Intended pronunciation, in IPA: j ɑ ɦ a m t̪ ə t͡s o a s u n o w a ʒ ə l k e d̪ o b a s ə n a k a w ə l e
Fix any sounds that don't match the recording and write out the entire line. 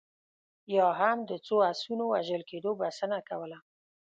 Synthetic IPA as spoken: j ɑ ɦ a m d̪ ə t͡s o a s u n o w a ʒ ə l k e d̪ o b a s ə n a k a w ə l a

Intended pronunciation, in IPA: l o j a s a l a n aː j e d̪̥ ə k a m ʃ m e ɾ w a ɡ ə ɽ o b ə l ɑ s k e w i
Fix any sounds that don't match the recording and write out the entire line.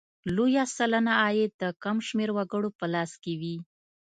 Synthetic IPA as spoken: l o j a s a l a n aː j e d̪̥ ə k a m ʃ m e ɾ w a ɡ ə ɽ o p ə l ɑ s k e w i

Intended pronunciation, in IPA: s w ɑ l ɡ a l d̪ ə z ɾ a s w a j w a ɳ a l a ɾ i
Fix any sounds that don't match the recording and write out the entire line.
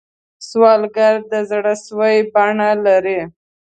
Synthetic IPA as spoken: s w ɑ l ɡ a ɾ d̪ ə z ɽ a s w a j b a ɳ a l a ɾ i

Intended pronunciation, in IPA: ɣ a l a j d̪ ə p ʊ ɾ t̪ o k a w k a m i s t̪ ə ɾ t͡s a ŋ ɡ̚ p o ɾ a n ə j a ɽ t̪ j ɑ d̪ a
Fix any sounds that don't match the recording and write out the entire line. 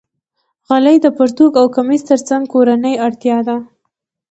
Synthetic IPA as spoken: ɣ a l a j d̪ ə p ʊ ɾ t̪ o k a w k a m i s t̪ ə ɾ t͡s a ŋ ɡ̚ k o ɾ a n ə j a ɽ t̪ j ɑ d̪ a

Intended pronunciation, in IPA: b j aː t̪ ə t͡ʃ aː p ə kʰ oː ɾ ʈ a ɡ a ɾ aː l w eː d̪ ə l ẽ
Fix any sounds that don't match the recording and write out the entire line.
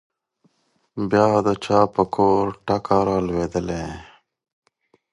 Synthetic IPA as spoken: b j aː d̪ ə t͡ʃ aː p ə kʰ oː ɾ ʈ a k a ɾ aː l w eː d̪ ə l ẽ

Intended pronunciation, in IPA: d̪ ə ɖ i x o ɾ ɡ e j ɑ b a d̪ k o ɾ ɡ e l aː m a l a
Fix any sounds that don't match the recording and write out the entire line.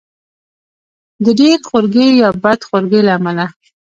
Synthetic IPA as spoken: d̪ ə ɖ e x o ɾ ɡ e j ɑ b a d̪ x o ɾ ɡ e l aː m a l a

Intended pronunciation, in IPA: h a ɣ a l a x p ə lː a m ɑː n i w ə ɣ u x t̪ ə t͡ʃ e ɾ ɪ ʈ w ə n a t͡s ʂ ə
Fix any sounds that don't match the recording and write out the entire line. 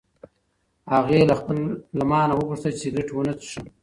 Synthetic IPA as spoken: h a ɣ e l a x p ə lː a m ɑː n a w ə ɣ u ʂ t̪ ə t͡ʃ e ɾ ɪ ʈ w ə n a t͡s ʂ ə

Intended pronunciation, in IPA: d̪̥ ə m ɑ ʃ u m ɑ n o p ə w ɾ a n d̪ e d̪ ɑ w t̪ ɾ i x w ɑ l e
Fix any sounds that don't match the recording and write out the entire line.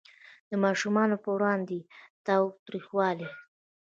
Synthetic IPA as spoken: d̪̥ ə m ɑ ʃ u m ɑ n o p ə w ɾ ɑ n d̪ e t̪ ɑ w t̪ ɾ i x w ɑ l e

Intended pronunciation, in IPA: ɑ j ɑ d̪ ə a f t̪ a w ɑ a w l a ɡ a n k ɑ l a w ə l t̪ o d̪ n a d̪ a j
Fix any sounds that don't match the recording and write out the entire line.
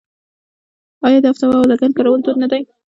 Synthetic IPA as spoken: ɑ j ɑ d̪ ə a f t̪ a w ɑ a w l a ɡ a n k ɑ ɾ a w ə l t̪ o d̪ n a d̪ a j

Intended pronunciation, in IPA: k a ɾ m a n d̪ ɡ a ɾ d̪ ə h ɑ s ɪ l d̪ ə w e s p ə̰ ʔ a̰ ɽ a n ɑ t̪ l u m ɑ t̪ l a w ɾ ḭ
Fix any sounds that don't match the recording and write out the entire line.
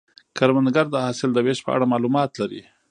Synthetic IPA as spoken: k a ɾ m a n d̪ ɡ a ɾ d̪ ə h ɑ s ɪ l d̪ ə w e ʃ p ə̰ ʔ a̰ ɽ a m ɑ l u m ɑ t̪ l a ɾ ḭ

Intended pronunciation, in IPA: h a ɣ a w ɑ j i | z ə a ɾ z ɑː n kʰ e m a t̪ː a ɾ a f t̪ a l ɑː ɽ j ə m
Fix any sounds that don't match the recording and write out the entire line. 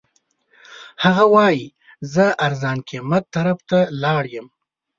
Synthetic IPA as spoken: h a ɣ a w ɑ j i | z ə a ɾ z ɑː n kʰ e m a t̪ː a ɾ a f t̪ a l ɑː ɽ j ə m

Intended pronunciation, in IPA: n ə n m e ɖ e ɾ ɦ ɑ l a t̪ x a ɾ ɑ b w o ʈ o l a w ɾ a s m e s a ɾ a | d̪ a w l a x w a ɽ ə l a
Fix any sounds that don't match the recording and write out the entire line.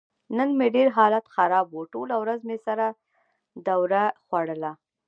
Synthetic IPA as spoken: n ə n m e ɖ e ɾ ɦ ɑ l a t̪ x a ɾ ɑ b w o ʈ o l a w ɾ a z m e s a ɾ a | d̪ a w ɾ a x w a ɽ ə l a

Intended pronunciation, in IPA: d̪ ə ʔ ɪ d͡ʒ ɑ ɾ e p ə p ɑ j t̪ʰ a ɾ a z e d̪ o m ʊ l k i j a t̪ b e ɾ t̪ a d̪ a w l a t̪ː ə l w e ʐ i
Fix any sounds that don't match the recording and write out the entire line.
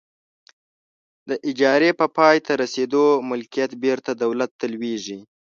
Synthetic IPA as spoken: d̪ ə ʔ ɪ d͡ʒ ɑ ɾ e p ə p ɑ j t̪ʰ a ɾ a s e d̪ o m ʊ l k i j a t̪ b e ɾ t̪ a d̪ a w l a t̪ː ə l w e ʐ i

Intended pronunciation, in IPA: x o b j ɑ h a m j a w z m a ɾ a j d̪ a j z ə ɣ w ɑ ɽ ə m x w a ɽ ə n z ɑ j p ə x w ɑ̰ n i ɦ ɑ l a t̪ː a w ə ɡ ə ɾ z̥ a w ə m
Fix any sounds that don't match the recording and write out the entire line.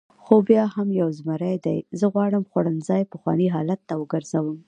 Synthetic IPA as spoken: x o b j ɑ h a m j a w z m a ɾ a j d̪ a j z ə ɣ w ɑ ɽ ə m x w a ɽ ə n z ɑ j p ə x w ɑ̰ n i ɦ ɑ l a t̪ː a w ə ɡ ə ɾ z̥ a w ə m

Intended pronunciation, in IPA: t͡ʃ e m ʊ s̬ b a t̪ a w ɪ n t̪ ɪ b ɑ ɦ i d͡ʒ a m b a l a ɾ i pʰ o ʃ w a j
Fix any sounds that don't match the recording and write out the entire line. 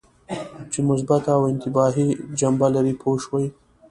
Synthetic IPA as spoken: t͡ʃ e m ʊ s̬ b a t̪ a w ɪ n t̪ ɪ b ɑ ɦ i d͡ʒ a m b a l a ɾ i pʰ o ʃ w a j

